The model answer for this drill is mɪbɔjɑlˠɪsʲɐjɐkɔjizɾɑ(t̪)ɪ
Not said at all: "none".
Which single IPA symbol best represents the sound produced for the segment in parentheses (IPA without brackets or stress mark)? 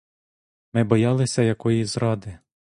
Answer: d̪